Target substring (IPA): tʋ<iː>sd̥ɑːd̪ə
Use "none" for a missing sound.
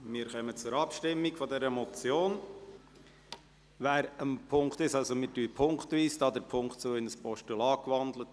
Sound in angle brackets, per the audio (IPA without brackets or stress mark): iː